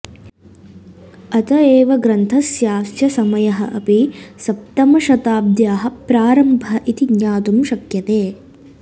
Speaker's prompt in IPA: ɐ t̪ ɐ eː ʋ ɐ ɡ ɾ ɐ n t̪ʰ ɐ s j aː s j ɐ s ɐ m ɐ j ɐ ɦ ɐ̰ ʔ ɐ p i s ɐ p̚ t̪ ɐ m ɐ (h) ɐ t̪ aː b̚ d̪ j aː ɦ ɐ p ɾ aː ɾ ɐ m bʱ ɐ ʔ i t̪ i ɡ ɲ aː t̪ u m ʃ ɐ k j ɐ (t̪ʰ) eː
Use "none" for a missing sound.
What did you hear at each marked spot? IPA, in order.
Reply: ʃ, t̪

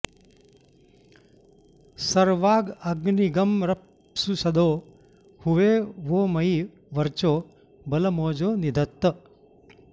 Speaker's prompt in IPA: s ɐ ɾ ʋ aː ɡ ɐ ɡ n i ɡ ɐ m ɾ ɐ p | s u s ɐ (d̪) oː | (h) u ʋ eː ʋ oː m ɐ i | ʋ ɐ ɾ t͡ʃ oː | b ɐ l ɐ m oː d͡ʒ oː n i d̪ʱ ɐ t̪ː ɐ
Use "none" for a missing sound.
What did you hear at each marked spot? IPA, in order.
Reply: d̪, h

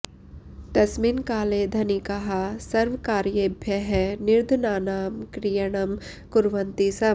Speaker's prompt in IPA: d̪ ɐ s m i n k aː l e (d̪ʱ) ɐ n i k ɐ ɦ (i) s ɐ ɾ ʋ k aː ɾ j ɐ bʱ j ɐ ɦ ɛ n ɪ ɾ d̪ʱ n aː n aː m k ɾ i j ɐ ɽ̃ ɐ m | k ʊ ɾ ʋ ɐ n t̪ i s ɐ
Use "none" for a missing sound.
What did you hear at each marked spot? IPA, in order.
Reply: d̪ʱ, a

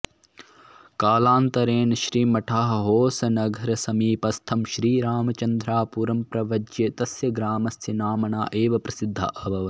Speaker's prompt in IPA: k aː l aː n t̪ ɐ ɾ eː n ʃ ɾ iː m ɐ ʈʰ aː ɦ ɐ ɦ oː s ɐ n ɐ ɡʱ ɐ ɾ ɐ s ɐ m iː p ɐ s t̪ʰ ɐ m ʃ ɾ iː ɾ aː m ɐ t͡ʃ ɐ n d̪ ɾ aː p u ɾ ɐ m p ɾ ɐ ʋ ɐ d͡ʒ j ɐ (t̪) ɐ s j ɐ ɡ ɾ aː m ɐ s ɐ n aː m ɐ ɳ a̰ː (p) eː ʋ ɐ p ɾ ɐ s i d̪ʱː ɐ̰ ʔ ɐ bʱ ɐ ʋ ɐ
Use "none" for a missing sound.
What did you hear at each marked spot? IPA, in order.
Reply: t̪, ʔ

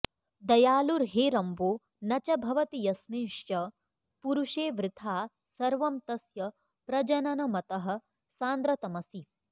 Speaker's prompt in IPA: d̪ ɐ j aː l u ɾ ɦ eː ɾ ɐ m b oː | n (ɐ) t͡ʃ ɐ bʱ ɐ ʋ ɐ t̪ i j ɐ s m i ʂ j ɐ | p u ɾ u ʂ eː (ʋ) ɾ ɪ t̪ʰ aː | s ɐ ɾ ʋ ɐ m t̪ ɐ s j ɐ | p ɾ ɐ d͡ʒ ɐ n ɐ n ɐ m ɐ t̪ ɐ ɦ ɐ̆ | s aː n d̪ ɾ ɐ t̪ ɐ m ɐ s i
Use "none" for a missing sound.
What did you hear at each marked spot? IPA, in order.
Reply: ɐ, ʋ

